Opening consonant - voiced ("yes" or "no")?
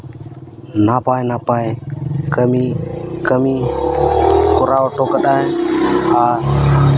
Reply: yes